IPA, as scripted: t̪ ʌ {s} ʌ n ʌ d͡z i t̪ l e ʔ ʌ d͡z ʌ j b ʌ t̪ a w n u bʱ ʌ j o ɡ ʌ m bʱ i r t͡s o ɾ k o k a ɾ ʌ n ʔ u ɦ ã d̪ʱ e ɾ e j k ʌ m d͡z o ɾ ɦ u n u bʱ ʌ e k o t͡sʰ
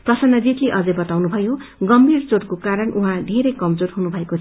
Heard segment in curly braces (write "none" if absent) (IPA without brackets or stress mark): s